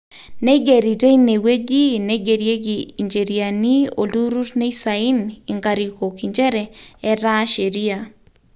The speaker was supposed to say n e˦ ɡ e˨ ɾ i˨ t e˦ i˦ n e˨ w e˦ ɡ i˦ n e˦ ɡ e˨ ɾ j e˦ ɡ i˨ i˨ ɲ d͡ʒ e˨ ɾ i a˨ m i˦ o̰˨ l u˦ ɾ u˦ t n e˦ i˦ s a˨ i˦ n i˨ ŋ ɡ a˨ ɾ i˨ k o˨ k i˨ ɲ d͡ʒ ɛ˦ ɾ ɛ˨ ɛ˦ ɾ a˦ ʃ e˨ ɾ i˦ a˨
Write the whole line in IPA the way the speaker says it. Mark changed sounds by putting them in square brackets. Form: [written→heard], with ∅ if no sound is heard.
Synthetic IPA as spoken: n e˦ ɡ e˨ ɾ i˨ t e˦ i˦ n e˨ w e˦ ɡ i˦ n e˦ ɡ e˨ ɾ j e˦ ɡ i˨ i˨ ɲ d͡ʒ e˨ ɾ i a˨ [m→n] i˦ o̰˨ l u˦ ɾ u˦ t n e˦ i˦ s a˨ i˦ n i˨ ŋ ɡ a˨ ɾ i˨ k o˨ k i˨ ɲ d͡ʒ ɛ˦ ɾ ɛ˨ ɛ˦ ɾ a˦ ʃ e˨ ɾ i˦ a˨